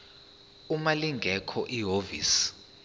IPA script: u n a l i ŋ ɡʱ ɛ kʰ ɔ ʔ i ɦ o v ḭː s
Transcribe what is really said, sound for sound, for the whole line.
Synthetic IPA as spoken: u m a l i ŋ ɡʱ ɛ kʰ ɔ ʔ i ɦ o v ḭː s